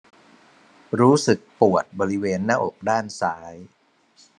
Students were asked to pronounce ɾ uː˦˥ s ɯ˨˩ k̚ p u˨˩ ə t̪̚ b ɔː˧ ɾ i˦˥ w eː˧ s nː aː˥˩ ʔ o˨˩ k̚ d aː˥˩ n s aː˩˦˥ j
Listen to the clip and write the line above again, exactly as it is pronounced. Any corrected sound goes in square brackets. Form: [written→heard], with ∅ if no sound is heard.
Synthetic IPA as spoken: ɾ uː˦˥ s ɯ˨˩ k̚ p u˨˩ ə t̪̚ b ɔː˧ ɾ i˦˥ w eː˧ [s→∅] nː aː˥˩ ʔ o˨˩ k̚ d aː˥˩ n s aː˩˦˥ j